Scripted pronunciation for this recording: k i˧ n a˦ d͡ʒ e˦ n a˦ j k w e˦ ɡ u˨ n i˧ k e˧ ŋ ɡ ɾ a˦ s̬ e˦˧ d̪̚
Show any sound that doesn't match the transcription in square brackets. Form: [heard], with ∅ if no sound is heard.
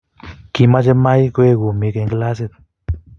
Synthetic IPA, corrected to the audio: k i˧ [m] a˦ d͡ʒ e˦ [m] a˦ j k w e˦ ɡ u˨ [m] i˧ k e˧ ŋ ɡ [l] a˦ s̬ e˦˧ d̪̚